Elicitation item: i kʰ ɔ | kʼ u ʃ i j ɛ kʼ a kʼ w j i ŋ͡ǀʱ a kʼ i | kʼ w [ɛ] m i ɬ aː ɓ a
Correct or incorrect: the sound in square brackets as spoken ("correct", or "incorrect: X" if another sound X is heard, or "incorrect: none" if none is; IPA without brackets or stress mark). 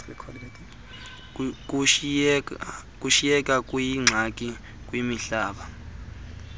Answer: incorrect: i